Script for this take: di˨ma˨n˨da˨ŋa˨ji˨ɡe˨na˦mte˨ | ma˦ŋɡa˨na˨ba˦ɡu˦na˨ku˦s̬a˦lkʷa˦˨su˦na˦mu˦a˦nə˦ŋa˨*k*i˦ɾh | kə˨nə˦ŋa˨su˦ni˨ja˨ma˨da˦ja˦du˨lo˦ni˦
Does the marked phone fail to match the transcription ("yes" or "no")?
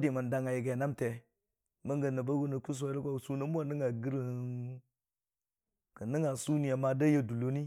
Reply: yes